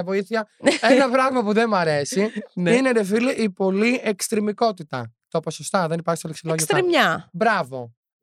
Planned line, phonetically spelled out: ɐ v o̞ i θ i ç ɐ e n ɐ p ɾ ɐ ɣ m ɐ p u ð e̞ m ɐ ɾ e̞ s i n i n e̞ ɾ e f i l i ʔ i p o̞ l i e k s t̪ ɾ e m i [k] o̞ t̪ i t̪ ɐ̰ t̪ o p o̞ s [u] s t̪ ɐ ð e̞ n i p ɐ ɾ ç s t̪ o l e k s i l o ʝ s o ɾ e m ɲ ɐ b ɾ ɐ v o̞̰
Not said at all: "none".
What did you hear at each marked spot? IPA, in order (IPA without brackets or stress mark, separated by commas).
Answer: k, o